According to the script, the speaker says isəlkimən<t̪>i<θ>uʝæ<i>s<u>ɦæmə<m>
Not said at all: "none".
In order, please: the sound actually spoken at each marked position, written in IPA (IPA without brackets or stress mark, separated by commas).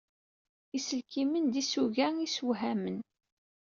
d̪, s, i, w, n